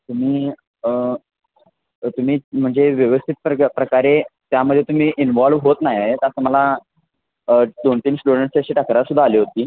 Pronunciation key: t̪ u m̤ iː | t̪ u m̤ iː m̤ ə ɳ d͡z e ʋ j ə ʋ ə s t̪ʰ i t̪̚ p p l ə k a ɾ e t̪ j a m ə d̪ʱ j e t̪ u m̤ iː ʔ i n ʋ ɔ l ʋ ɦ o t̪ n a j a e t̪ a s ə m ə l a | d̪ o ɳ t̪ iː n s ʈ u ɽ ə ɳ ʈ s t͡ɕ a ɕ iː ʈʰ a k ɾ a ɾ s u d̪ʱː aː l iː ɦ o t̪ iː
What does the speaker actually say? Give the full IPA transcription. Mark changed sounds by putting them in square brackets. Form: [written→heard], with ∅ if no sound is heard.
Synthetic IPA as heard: t̪ u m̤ iː | t̪ u m̤ iː m̤ ə ɳ d͡z e ʋ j ə ʋ ə s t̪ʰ i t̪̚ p p [l→ɾ] ə k a ɾ e t̪ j a m ə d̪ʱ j e t̪ u m̤ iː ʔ i n ʋ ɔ l ʋ ɦ o t̪ n a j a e t̪ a s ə m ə l a | d̪ o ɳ t̪ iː n s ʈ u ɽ ə ɳ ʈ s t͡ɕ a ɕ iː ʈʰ a k ɾ a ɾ s u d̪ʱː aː l iː ɦ o t̪ iː